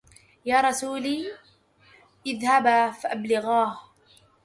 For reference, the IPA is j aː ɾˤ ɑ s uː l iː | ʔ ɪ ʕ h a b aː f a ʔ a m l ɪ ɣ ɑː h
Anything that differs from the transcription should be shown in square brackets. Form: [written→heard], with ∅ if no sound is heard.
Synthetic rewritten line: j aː ɾˤ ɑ s uː l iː | ʔ ɪ [ʕ→ð] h a b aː f a ʔ a [m→b] l ɪ ɣ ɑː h